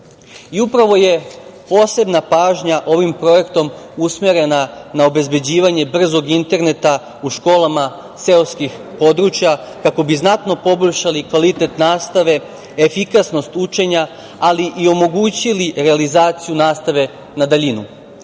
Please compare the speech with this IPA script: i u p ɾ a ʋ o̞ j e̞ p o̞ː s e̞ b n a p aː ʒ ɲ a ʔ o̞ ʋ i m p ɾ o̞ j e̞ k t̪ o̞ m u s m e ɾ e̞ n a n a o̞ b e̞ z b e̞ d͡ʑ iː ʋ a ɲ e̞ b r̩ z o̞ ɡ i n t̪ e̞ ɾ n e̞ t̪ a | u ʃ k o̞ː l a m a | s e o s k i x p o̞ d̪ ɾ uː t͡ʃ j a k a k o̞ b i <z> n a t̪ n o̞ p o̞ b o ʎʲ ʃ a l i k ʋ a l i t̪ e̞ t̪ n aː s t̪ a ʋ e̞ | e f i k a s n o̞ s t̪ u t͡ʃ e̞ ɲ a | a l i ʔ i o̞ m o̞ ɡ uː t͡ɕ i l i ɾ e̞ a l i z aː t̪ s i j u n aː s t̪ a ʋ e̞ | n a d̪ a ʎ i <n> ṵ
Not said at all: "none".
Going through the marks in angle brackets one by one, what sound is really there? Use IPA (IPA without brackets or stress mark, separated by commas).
z, n